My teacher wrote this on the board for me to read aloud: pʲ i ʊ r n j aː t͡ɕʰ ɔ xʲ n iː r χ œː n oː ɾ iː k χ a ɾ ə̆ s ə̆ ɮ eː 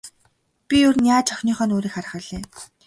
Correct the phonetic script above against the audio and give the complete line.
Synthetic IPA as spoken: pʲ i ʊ r n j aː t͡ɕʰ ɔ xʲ n iː χ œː n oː ɾ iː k χ a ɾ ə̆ χ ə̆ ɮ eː

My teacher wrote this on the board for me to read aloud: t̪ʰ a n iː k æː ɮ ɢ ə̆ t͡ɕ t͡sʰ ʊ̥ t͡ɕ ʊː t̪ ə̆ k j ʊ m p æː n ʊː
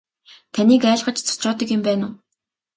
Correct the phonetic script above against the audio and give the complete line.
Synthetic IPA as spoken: t̪ʰ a n iː k æː ɮ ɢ ə̆ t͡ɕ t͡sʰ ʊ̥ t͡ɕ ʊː t̪ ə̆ k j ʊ m p æː n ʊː

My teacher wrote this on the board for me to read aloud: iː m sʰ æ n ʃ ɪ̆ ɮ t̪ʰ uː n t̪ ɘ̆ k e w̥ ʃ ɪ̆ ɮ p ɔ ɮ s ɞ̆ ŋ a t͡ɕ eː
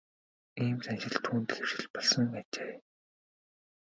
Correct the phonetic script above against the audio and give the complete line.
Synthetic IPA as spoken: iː m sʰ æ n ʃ ɪ̆ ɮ t̪ʰ uː n t̪ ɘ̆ x e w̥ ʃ ɪ̆ ɮ p ɔ ɮ s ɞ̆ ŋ a t͡ɕ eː

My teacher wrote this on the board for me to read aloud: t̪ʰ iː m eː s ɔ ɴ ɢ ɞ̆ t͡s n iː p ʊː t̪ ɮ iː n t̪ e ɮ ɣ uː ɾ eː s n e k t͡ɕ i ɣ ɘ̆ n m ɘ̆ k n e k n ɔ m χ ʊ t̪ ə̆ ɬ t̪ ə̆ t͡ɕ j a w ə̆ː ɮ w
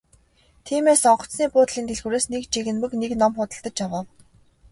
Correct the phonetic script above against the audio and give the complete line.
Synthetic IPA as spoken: t̪ʰ iː m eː s ɔ ɴ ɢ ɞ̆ t͡s n iː p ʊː t̪ ɮ iː n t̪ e ɮ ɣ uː ɾ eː s n e k t͡ɕ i ɣ ɘ̆ n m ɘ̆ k n e k n ɔ m χ ʊ t̪ ə̆ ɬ t̪ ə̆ t͡ɕ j a w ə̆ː w

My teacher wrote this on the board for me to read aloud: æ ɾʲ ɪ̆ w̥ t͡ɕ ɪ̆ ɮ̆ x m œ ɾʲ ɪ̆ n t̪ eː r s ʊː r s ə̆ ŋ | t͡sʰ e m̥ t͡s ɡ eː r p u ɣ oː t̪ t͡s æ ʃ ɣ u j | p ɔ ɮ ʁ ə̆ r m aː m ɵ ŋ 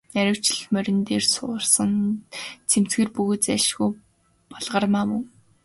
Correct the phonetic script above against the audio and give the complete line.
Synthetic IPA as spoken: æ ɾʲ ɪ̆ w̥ t͡ɕ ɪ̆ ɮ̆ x m œ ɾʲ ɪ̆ n t̪ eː r s ʊː r s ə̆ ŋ | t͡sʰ e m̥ t͡s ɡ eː r p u ɣ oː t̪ t͡s æ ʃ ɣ u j | p ɔ ɮ ʁ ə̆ r m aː m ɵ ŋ

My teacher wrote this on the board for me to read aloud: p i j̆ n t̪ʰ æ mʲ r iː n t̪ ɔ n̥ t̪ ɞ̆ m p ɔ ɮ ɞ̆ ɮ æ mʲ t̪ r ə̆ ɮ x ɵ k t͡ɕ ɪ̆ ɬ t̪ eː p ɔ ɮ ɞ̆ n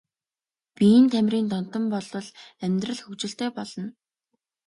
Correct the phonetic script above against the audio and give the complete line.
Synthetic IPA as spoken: p i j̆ n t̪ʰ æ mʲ r iː n t̪ ɔ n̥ t̪ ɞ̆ m p ɔ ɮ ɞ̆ ɮ æ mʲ t̪ r ə̆ ɮ x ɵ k t͡ɕ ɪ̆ ɬ t̪ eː p ɔ ɮ ɞ̆ n

